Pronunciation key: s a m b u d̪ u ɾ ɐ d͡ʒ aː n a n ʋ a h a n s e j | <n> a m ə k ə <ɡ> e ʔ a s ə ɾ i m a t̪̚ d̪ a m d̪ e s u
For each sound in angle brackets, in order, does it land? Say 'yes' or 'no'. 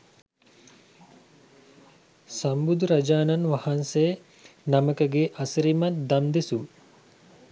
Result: yes, yes

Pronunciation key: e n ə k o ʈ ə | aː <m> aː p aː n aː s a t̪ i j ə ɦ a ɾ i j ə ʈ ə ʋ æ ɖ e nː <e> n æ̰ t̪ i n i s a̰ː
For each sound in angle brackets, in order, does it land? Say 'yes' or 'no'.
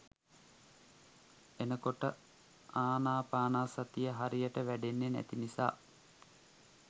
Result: no, yes

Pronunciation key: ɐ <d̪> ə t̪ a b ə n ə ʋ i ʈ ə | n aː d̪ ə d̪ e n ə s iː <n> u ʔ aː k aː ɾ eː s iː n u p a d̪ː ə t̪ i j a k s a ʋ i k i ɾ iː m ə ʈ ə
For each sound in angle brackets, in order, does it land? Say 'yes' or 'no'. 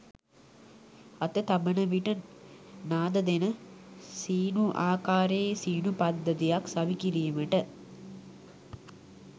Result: no, yes

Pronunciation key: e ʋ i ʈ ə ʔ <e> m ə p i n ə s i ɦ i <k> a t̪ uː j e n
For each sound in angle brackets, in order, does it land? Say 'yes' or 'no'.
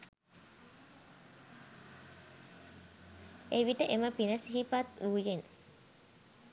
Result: yes, no

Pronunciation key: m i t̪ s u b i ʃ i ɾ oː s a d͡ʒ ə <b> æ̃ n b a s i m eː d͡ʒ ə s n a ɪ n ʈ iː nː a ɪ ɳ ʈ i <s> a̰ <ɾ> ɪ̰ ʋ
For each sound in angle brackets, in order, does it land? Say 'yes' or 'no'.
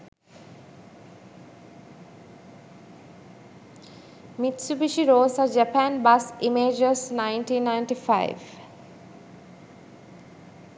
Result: no, no, no

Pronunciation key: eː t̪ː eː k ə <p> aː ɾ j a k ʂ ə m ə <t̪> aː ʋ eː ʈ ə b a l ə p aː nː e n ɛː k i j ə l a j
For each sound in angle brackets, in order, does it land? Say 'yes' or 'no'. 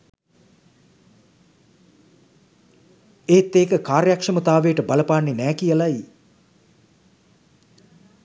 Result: no, yes

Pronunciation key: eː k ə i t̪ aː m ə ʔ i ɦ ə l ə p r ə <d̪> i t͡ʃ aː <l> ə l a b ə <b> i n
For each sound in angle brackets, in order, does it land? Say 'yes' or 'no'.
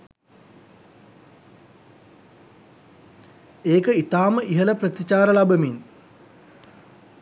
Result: no, no, no

